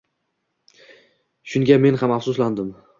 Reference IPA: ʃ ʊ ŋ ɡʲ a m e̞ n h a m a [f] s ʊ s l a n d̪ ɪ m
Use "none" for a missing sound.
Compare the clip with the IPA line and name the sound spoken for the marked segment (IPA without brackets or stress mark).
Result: f